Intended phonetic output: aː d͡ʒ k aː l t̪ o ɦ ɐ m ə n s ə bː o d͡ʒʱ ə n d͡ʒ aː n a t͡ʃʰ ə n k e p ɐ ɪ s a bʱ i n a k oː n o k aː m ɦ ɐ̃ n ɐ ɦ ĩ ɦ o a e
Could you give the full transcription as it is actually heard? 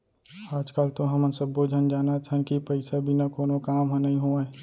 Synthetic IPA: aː d͡ʒ k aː l t̪ o ɦ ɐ m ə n s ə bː o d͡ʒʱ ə n d͡ʒ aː n a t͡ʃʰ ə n k i p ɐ ɪ s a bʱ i n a k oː n o k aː m ɦ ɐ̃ n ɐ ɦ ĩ ɦ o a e

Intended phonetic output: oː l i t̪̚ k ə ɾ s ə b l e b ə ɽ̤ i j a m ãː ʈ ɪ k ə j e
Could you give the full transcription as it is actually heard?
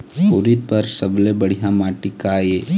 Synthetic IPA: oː ɾ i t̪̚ p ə ɾ s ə b l e b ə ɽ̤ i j a m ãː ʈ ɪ k a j e

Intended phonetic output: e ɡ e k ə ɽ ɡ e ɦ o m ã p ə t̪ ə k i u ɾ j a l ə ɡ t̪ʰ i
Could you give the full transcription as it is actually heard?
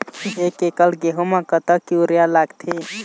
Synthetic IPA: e k e k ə l ɡ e ɦ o m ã k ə t̪ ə k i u ɾ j a l a ɡ t̪ʰ i

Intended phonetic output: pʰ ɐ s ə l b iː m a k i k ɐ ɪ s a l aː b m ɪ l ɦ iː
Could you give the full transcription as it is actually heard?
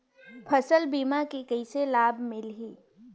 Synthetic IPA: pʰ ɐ s ə l b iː m a k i k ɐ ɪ s e l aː b m ɪ l ɦ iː

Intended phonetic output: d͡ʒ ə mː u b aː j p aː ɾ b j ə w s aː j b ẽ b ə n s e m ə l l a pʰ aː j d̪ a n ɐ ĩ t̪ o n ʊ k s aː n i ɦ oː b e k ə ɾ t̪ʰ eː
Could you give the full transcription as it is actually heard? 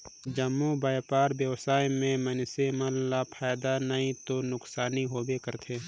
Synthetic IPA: d͡ʒ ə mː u b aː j p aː ɾ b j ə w s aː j m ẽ m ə n s e m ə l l a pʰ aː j d̪ a n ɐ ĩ t̪ o n ʊ k s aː n i ɦ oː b e k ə ɾ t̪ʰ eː

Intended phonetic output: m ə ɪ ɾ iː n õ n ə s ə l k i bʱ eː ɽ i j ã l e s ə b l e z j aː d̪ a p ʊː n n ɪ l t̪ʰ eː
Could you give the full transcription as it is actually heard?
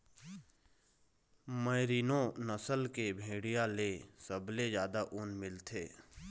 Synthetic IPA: m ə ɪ ɾ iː n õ n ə s ə l k e bʱ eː ɽ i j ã l e s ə b l e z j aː d̪ a ʔ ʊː n m ɪ l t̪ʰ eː

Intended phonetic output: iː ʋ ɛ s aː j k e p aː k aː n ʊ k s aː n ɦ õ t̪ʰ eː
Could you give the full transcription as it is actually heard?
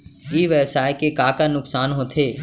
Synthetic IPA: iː ʋ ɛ s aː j k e k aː k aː n ʊ k s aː n ɦ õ t̪ʰ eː

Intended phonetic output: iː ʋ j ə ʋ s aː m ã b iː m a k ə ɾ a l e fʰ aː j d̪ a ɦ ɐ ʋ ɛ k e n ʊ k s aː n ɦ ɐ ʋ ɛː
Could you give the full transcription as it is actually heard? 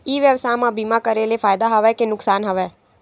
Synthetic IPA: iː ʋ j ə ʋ s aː m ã b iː m a k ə ɾ e l e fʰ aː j d̪ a ɦ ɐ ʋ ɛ k e n ʊ k s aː n ɦ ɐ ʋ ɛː

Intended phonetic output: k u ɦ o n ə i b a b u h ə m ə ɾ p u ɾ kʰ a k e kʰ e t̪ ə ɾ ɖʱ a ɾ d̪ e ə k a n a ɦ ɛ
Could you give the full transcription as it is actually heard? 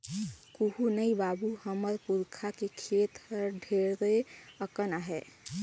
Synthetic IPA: k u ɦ u n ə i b a b u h ə m ə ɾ p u ɾ kʰ a k e kʰ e t̪ ə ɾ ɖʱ e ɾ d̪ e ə k ə n a ɦ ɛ

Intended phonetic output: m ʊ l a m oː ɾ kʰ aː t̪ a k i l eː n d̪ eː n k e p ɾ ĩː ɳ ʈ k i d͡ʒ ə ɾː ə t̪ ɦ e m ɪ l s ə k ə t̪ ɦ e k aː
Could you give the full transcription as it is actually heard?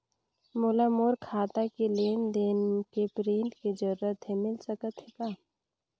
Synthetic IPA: m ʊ l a m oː ɾ kʰ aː t̪ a k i l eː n d̪ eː n k e p ɾ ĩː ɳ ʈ k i d͡ʒ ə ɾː ə t̪ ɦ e m ɪ l s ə k ə t̪ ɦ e k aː

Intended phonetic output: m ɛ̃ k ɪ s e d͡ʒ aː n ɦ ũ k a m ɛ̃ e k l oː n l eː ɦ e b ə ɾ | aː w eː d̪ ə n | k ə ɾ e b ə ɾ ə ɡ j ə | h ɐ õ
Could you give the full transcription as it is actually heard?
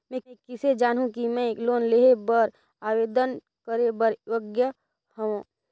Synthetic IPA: m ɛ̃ k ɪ s e d͡ʒ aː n ɦ ũ k i m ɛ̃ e k l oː n l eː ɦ e b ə ɾ | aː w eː d̪ ə n | k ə ɾ e b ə ɾ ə ɡ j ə | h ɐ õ

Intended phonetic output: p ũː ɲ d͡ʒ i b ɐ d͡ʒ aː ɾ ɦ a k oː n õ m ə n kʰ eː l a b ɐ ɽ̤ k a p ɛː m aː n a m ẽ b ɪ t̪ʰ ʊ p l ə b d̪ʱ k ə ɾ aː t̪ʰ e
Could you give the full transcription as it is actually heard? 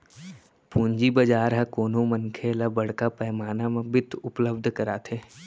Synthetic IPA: p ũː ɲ d͡ʒ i b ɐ d͡ʒ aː ɾ ɦ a k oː n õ m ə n kʰ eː l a b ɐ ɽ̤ k a p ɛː m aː n a m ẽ b ɪ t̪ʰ ʊ p l ə b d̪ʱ k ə ɾ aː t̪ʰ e

